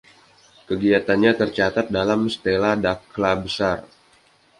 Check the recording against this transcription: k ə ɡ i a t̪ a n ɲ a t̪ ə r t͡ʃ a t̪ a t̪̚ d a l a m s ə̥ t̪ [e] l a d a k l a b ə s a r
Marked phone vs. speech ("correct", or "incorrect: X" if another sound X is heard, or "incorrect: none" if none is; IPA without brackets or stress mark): correct